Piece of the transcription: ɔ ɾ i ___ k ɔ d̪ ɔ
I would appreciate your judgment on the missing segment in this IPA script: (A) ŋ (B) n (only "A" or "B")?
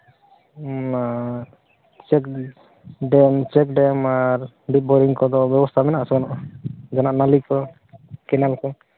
A